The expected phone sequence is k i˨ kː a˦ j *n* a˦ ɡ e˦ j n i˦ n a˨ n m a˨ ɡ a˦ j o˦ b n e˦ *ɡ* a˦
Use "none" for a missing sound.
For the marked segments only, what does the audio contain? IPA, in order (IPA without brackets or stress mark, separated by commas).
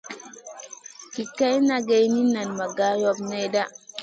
n, d